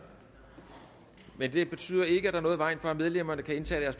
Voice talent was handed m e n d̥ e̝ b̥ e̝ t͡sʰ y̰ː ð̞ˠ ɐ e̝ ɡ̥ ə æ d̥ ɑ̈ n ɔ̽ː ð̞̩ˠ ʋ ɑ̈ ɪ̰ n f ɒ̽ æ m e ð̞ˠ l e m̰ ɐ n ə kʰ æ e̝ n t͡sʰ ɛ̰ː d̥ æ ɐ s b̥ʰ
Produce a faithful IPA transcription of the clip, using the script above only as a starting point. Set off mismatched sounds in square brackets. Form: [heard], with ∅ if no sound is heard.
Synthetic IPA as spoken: m e n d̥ e̝ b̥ e̝ t͡sʰ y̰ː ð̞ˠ ɐ e̝ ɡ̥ ə æ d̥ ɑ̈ n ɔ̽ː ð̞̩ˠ ʋ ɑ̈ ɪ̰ n f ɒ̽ æ m e ð̞ˠ l e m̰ ɐ n ə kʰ æ e̝ n t͡sʰ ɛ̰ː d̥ æ ɐ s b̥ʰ